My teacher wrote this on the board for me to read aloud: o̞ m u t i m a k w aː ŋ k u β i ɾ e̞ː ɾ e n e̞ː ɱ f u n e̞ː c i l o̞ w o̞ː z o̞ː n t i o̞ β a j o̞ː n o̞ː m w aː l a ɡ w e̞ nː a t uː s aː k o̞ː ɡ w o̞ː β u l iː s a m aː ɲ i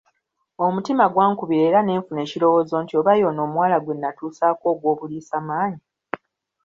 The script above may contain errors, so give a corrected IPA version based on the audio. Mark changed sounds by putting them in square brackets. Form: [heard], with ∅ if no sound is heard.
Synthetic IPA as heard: o̞ m u t i m a [ɡ] w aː ŋ k u β i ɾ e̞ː ɾ [a] n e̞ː ɱ f u n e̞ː c i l o̞ w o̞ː z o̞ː n t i o̞ β a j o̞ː n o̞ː m w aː l a ɡ w e̞ nː a t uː s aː k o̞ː ɡ w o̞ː β u l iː s a m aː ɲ i